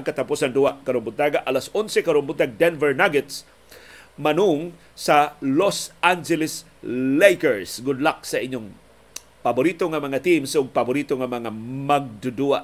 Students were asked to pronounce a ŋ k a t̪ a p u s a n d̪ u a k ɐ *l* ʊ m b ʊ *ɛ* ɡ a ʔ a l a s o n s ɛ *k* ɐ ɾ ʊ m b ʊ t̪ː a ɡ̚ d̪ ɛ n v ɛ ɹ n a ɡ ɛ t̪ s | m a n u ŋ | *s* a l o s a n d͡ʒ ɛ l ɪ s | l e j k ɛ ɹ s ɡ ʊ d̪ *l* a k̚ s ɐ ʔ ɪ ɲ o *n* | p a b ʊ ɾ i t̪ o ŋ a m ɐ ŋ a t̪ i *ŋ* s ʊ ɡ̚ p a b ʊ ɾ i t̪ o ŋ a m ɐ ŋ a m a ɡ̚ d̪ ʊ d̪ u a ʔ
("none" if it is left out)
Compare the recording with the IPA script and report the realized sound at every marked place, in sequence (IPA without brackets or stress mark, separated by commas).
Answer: ɾ, a, k, s, l, ŋ, m